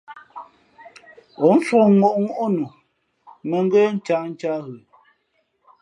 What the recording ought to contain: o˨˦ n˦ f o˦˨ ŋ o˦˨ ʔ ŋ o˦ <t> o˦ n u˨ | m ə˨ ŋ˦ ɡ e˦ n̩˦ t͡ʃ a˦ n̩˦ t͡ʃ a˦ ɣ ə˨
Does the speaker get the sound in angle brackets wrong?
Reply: yes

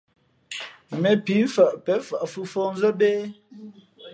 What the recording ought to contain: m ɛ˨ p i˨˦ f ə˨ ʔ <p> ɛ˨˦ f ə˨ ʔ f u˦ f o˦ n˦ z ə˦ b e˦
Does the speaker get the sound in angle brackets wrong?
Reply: no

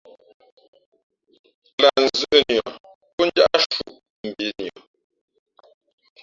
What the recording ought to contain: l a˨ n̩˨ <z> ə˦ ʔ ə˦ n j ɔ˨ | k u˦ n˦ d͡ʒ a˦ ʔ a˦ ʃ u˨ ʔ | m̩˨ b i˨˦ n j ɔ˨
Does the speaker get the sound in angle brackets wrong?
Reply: no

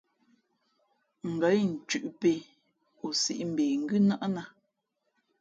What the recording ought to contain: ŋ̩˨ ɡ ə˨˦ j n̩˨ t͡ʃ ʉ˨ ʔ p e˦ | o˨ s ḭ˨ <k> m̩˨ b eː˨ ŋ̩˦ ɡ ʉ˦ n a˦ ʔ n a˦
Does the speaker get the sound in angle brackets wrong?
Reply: yes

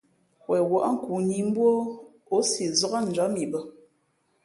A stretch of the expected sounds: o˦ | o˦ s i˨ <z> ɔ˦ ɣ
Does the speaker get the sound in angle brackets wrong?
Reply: no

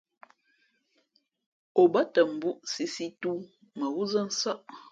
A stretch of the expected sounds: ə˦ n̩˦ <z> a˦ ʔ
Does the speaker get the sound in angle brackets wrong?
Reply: yes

